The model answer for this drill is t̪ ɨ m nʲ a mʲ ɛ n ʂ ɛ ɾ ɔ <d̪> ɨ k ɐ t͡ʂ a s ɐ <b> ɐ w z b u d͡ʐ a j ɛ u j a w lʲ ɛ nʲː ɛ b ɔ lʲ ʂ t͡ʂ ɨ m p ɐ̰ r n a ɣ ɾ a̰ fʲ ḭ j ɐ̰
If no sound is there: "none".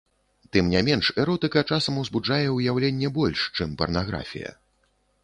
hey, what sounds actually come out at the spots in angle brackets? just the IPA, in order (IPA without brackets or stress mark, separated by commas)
t̪, m